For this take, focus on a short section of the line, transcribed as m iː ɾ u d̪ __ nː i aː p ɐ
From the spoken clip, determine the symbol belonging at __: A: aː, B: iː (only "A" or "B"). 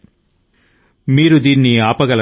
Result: B